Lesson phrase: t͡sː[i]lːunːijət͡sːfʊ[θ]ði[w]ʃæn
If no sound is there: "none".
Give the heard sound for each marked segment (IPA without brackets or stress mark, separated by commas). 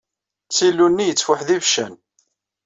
i, ħ, v